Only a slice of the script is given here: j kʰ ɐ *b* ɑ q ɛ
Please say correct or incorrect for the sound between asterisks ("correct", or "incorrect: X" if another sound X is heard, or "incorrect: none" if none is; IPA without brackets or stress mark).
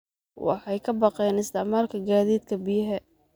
correct